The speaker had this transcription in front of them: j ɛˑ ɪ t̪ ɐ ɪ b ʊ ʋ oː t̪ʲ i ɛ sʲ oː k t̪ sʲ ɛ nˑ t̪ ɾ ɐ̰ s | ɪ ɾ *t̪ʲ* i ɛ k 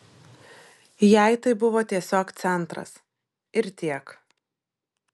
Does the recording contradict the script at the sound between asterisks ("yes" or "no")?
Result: no